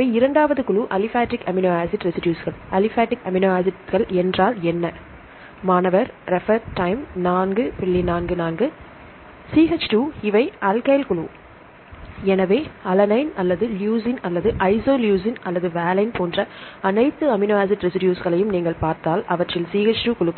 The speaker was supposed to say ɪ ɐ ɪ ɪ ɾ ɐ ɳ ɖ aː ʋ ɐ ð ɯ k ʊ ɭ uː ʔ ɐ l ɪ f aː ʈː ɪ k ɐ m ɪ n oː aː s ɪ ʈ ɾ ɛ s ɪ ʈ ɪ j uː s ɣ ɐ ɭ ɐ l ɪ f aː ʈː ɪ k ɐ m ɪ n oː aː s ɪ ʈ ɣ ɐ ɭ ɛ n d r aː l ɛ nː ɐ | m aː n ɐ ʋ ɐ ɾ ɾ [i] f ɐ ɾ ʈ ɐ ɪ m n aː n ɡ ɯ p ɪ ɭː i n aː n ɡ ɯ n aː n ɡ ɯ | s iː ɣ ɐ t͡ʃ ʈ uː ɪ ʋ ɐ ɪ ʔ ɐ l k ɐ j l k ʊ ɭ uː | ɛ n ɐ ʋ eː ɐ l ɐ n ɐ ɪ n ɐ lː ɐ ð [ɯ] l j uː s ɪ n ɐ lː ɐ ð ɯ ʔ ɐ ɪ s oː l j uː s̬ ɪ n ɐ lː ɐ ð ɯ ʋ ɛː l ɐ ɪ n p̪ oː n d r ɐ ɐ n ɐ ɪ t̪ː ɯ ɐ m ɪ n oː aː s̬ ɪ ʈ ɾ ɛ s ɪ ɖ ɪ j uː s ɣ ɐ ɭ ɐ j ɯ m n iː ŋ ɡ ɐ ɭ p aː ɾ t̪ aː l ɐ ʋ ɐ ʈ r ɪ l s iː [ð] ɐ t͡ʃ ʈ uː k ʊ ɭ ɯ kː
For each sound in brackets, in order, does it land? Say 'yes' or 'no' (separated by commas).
no, yes, no